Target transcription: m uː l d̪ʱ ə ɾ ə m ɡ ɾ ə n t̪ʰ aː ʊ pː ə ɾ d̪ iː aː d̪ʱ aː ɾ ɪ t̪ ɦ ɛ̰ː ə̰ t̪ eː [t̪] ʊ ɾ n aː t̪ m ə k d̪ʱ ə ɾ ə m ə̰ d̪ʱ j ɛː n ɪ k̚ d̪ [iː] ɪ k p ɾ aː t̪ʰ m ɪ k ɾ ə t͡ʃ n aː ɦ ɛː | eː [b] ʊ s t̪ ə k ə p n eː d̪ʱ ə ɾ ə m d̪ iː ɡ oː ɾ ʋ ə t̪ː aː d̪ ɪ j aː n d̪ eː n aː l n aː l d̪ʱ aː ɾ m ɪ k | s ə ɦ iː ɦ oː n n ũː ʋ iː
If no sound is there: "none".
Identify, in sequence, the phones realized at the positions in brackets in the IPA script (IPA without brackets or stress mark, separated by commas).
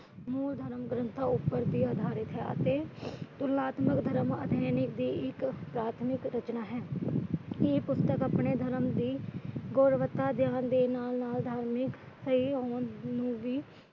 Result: t̪, iː, p